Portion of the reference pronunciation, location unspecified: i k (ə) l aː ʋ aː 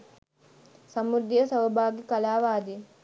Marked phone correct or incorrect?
incorrect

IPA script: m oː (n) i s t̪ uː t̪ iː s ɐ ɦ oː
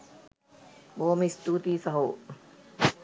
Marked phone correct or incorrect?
incorrect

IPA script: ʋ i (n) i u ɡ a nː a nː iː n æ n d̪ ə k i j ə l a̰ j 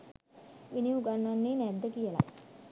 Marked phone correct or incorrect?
correct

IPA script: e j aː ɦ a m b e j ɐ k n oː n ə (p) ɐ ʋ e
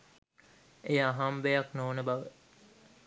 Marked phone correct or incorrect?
incorrect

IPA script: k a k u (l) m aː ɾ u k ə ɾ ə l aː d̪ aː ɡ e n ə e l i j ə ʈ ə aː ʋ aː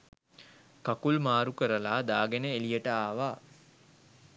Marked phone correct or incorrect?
correct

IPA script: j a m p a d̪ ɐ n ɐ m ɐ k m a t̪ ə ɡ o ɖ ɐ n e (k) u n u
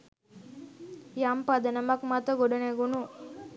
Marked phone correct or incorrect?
incorrect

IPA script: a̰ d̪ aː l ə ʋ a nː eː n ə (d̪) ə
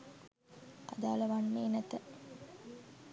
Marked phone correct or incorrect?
incorrect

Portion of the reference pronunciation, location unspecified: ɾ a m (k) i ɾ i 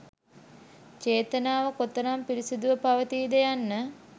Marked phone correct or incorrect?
incorrect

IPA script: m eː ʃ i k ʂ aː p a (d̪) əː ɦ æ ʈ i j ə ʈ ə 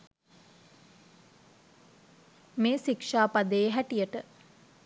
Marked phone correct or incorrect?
correct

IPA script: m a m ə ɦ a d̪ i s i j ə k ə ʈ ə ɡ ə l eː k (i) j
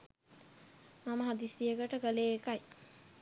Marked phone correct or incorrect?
incorrect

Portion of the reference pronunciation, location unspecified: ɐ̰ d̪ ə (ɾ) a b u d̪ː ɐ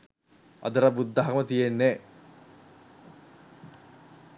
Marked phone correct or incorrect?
correct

